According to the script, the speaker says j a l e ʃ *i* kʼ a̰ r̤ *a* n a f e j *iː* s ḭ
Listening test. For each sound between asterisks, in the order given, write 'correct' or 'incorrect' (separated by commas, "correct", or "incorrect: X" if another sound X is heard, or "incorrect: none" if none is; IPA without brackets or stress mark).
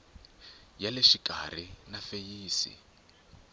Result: correct, incorrect: i, correct